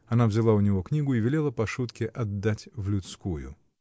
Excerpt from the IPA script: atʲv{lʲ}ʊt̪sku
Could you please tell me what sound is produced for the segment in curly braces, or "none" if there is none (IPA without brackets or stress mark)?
lʲ